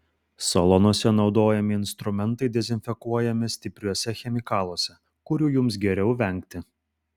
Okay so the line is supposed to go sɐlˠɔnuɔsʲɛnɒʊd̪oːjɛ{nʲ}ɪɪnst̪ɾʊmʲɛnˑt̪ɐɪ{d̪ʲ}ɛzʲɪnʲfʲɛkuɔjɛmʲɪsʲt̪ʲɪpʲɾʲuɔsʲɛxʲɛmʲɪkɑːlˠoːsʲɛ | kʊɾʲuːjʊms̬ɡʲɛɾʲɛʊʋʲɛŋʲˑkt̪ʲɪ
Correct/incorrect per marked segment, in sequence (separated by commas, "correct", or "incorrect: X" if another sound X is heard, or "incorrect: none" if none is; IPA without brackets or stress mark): incorrect: mʲ, correct